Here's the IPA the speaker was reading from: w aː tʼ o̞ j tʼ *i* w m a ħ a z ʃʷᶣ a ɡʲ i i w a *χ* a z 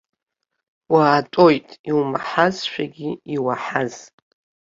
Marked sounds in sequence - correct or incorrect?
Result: correct, incorrect: ħ

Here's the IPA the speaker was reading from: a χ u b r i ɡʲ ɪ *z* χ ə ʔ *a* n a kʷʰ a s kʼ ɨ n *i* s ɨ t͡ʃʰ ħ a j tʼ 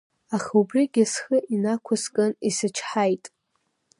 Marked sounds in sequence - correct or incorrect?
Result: incorrect: s, incorrect: i, correct

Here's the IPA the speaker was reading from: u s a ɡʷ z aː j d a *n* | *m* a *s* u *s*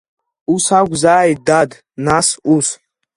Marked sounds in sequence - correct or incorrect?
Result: incorrect: d, incorrect: n, correct, correct

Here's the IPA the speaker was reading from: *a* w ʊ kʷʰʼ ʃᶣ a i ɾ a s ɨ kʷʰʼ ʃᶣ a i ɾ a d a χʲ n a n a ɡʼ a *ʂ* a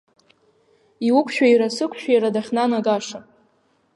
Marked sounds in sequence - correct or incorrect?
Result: incorrect: i, correct

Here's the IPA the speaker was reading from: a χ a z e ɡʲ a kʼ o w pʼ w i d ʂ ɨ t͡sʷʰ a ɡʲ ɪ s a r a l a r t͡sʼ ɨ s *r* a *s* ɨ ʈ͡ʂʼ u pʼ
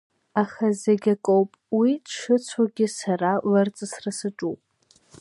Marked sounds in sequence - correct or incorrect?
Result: correct, correct

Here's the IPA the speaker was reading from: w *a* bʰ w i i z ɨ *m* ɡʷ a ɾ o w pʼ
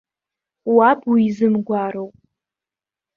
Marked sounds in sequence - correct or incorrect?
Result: correct, correct

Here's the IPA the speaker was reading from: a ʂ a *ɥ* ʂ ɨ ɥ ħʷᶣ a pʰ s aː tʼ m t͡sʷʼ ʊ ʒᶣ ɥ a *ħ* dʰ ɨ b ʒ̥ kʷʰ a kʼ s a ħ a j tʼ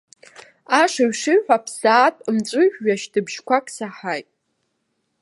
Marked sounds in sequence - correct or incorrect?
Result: correct, incorrect: ʃ

